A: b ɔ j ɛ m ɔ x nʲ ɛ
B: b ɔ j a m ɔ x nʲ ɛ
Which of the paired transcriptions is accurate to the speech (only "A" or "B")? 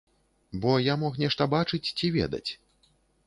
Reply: B